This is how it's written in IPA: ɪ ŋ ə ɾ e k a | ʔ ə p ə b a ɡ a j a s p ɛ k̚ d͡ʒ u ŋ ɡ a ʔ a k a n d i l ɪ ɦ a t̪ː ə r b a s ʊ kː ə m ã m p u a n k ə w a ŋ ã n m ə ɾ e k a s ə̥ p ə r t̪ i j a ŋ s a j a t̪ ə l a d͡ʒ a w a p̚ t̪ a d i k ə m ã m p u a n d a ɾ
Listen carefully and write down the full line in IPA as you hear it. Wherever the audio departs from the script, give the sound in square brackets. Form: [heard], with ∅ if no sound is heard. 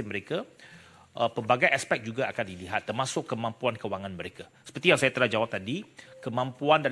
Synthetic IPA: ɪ [m] ə ɾ e k a | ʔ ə p ə b a ɡ a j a s p ɛ k̚ d͡ʒ u [∅] ɡ a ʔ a k a n d i l [i] ɦ a t̪ː ə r [m] a s ʊ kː ə m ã m p u a n k ə w a ŋ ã n m ə ɾ e k a s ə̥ p ə r t̪ i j a ŋ s a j a t̪ ə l a d͡ʒ a w a p̚ t̪ a d i k ə m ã m p u a n d a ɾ